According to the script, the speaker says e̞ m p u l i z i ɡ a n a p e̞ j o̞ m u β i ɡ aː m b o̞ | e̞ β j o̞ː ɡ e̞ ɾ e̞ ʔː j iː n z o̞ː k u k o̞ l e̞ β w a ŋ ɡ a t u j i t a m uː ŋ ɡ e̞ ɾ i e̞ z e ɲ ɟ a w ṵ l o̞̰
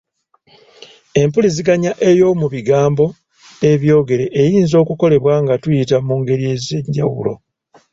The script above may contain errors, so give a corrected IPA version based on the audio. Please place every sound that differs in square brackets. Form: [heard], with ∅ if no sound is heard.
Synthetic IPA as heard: e̞ m p u l i z i ɡ a [ɲ] a [ʔ] e̞ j o̞ m u β i ɡ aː m b o̞ | e̞ β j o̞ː ɡ e̞ ɾ e̞ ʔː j iː n z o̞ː k u k o̞ l e̞ β w a ŋ ɡ a t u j i t a m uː ŋ ɡ e̞ ɾ i e̞ z e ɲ ɟ a w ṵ l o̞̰